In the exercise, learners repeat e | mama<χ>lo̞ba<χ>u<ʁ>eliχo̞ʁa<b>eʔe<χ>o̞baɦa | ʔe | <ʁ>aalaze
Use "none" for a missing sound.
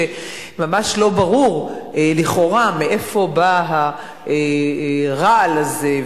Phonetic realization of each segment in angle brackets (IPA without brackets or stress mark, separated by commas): ʃ, ʁ, ʁ, m, f, ʁ